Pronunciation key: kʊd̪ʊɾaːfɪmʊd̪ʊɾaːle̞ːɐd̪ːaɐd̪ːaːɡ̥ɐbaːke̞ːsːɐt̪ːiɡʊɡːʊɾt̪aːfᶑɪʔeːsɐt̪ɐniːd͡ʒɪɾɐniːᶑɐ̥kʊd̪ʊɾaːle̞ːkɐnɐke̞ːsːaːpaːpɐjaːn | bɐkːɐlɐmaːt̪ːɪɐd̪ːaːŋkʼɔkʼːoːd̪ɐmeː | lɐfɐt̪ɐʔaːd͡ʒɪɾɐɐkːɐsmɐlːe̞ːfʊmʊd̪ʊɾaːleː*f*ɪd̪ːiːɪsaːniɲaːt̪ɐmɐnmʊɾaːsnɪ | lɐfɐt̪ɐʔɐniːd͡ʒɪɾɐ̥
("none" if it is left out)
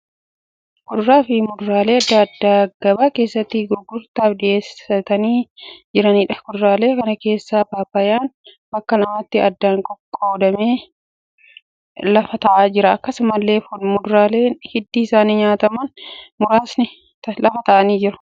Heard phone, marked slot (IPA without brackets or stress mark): h